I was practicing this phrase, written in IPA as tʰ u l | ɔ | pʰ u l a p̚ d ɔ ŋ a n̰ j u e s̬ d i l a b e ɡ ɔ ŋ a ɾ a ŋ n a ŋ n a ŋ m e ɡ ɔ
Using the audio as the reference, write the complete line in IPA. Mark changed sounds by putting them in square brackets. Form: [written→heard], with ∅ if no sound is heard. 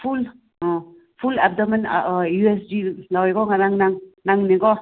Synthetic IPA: [tʰ→pʰ] u l | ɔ | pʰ u l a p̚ d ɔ [ŋ→m] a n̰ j u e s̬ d i l a [b→w] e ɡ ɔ ŋ a ɾ a ŋ n a ŋ n a ŋ [m→n] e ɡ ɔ